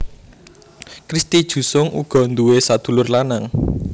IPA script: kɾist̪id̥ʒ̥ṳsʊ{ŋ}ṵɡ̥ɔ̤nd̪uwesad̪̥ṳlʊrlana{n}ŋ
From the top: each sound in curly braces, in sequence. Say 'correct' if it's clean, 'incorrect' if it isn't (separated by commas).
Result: correct, incorrect